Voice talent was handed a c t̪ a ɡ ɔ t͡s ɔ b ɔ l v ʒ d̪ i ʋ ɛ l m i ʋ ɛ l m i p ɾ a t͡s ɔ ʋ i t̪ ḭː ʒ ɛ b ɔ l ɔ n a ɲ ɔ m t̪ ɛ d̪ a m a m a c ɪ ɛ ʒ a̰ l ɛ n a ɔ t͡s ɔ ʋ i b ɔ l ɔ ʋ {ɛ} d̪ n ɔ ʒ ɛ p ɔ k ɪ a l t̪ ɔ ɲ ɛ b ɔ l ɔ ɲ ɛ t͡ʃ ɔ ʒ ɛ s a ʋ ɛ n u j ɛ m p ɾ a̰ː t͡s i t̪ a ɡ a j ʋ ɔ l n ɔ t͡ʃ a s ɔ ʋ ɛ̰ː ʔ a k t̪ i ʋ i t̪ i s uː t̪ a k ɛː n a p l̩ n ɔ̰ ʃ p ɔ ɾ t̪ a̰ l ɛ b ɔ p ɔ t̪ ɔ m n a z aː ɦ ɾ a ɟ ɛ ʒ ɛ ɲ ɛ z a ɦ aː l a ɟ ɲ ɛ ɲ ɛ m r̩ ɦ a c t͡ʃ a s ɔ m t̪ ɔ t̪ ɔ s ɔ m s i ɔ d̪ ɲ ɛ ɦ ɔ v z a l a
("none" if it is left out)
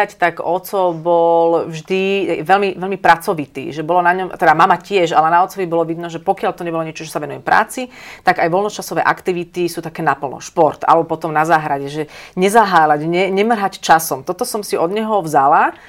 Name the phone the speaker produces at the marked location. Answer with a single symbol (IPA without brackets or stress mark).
i